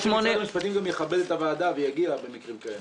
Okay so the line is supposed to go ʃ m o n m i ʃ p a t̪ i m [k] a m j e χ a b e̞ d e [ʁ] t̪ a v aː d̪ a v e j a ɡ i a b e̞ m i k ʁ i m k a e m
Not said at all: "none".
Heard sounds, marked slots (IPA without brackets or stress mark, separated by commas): ɡ, none